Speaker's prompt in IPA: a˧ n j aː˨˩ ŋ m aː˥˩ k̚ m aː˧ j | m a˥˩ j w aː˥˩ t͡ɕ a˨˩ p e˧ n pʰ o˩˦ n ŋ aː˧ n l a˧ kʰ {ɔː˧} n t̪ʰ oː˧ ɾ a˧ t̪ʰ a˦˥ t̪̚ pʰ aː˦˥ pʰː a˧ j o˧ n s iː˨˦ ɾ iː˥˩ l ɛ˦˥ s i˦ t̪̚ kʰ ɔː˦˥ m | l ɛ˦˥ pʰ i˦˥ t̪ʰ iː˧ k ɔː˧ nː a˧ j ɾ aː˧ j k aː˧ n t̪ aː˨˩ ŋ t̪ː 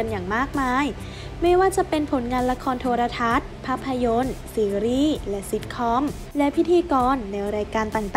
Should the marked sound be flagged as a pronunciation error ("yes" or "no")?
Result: no